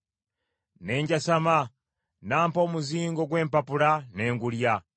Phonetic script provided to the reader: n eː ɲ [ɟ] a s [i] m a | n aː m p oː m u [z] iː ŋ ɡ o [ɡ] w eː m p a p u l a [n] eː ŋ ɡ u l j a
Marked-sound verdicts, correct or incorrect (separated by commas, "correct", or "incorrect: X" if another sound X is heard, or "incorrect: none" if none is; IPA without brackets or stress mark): correct, incorrect: a, correct, correct, correct